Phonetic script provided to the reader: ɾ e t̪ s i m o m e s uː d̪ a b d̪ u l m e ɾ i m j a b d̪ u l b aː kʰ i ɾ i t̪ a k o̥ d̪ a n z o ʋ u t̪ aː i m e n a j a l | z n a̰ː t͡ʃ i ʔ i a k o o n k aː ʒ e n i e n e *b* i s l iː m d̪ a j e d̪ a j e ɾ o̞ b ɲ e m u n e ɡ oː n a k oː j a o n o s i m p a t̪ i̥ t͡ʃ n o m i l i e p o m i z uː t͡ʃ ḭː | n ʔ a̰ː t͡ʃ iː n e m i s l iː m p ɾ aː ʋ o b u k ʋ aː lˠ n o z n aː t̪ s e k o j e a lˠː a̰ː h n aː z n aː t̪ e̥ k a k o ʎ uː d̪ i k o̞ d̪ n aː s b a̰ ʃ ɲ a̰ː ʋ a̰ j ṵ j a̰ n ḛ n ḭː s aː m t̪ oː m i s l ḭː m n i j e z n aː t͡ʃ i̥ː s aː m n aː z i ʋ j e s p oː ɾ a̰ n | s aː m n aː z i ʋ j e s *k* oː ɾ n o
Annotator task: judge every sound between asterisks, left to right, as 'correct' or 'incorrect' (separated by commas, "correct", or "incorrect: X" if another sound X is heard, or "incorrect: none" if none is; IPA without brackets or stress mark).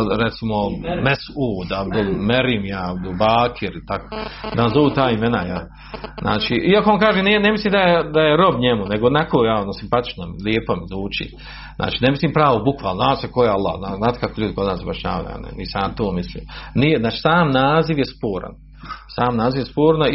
incorrect: m, incorrect: p